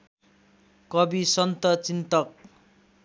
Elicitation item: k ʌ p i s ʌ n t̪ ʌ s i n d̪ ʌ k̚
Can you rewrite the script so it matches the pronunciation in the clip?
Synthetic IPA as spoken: k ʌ b i s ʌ n t̪ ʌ t͡s i n t̪ ʌ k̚